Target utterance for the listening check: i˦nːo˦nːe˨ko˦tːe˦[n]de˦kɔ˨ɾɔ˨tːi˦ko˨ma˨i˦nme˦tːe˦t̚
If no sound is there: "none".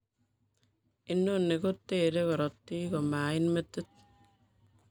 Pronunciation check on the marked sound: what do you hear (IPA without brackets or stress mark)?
none